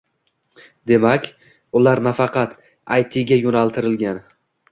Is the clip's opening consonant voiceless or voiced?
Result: voiced